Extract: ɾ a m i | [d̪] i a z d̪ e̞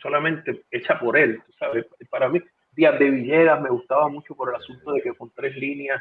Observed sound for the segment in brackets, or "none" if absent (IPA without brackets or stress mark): d̪